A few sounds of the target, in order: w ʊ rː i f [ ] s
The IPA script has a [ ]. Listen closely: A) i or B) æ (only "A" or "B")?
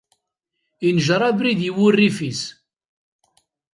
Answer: A